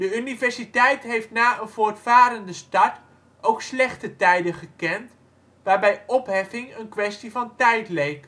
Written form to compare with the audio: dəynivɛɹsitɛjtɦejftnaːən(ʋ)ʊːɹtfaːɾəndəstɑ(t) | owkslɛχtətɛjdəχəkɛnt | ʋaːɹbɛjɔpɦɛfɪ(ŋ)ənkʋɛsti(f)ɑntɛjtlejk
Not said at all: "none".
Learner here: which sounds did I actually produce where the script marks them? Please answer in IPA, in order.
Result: v, t, ŋ, v

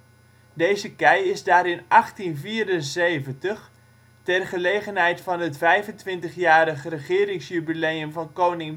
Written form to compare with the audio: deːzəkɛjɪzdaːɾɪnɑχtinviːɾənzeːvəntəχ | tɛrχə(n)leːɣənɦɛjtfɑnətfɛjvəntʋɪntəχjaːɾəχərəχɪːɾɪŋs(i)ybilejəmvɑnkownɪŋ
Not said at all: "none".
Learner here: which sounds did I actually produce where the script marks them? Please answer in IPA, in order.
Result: none, j

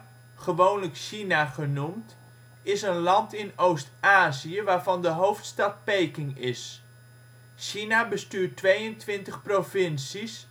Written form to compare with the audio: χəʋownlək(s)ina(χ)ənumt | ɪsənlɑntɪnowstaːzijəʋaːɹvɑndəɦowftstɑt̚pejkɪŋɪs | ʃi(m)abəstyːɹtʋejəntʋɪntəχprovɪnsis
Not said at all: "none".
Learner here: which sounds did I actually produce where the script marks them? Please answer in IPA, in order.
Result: ʃ, χ, n

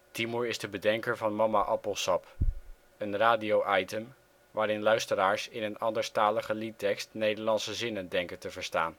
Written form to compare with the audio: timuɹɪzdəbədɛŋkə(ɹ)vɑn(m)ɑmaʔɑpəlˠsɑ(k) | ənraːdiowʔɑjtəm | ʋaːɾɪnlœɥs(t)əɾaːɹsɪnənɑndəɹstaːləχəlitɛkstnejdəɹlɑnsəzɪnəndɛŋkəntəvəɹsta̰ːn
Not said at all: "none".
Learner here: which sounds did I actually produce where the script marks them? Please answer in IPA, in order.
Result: ɹ, m, p, t

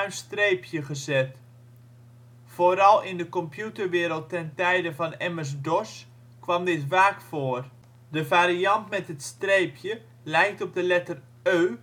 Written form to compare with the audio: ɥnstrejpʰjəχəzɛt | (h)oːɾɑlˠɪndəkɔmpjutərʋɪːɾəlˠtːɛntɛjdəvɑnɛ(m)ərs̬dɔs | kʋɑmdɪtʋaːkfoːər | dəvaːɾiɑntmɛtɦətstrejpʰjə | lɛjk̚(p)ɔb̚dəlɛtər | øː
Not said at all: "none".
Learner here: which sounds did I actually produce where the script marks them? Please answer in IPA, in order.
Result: f, m, t

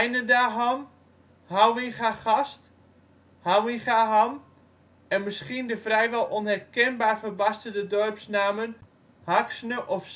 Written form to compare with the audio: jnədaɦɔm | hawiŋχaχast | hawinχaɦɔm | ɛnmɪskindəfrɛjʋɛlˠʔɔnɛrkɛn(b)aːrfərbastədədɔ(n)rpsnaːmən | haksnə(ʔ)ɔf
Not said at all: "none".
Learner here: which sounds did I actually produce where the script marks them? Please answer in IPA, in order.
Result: b, none, ʔ

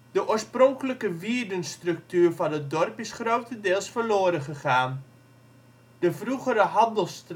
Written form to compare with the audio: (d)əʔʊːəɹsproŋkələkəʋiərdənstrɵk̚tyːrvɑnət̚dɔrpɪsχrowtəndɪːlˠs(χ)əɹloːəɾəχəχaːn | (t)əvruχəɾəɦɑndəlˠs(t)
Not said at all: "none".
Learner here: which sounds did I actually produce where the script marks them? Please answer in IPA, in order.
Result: d, f, d, t

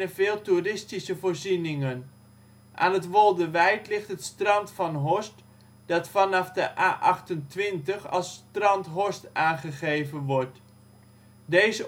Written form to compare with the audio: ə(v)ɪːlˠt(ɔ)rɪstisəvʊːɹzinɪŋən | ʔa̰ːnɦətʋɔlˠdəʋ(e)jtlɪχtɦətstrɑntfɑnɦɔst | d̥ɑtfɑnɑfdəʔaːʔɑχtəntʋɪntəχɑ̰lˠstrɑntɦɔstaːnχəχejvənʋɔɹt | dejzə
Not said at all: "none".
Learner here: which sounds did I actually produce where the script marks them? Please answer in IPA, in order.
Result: v, u, ɛ

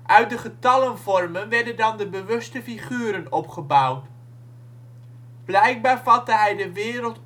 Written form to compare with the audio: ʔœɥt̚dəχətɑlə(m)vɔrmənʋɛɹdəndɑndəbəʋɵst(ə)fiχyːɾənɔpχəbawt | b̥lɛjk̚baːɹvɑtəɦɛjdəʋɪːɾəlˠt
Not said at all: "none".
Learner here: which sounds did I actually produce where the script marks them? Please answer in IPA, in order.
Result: n, ə

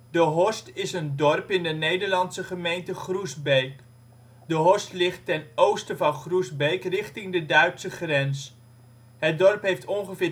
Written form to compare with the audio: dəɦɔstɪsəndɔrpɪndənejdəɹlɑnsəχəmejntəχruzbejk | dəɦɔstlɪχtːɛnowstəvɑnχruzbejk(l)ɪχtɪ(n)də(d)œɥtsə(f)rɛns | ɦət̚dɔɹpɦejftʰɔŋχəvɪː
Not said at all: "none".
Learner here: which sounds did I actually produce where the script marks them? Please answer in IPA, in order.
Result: r, ŋ, d, χ

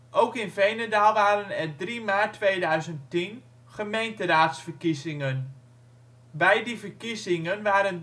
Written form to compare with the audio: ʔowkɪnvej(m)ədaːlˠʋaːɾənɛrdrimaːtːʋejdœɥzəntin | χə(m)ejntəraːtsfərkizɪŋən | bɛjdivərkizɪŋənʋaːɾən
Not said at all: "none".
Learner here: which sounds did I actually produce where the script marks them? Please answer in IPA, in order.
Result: n, m

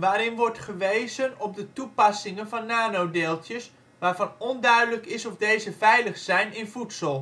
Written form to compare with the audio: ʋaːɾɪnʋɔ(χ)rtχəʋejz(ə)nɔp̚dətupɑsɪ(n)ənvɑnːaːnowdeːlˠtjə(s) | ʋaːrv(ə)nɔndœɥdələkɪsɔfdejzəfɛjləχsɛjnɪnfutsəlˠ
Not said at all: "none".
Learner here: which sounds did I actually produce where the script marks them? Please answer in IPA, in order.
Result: none, ə, ŋ, s, ɑ

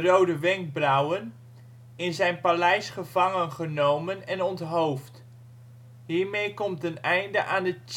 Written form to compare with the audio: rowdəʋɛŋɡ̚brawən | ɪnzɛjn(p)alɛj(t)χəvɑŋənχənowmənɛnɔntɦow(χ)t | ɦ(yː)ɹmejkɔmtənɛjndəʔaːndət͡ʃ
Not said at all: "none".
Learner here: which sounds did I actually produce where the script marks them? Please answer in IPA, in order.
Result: p, s, f, iː

